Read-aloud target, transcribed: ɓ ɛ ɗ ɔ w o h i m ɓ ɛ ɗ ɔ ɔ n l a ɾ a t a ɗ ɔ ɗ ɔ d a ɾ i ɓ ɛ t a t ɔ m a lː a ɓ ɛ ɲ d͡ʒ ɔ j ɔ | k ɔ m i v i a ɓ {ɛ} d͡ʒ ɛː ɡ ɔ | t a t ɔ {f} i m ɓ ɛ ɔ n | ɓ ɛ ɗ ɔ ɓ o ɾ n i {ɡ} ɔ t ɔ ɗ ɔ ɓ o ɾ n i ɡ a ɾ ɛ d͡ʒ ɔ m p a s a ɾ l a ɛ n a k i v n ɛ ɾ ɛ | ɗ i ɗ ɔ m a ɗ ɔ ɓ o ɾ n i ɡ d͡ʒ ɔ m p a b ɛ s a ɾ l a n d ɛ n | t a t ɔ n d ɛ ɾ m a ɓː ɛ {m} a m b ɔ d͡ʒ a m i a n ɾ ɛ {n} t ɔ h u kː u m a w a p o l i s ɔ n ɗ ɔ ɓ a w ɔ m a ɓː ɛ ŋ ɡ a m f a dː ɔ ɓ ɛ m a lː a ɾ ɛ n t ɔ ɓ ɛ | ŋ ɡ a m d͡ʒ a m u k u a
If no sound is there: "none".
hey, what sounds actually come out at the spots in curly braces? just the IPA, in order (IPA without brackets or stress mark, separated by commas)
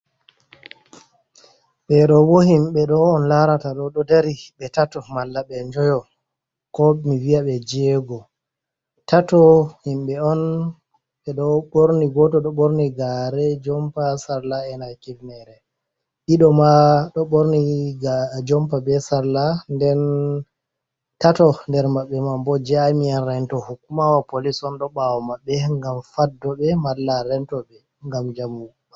ɛ, h, ɡ, m, n